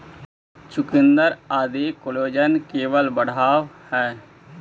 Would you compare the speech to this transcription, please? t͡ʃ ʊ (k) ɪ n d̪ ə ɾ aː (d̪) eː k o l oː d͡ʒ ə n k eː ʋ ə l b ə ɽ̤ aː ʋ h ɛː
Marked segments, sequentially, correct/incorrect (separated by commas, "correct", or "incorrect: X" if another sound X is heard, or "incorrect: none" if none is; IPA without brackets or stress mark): correct, correct